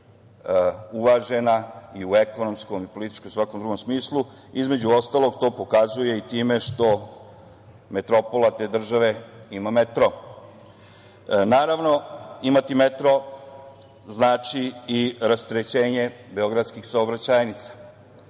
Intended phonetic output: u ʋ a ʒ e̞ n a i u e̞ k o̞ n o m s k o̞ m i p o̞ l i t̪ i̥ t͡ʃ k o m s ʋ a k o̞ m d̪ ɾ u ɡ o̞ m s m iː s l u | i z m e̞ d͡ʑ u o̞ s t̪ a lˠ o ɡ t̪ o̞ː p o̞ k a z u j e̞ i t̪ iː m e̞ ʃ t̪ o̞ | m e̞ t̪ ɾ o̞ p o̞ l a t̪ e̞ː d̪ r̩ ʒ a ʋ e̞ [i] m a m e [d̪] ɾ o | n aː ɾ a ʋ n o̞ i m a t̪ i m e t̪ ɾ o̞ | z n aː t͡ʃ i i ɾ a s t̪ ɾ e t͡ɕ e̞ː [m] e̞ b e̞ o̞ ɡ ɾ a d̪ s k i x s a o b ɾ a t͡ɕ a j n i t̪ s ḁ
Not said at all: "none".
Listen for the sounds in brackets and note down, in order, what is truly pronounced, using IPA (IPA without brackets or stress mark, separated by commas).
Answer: i, t̪, ɲ